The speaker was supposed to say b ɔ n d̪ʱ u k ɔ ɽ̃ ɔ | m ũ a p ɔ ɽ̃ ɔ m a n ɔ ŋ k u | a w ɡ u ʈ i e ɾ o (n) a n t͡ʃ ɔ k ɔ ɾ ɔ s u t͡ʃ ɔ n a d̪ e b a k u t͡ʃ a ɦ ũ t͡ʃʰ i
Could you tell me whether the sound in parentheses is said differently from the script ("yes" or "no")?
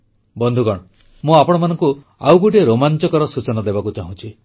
yes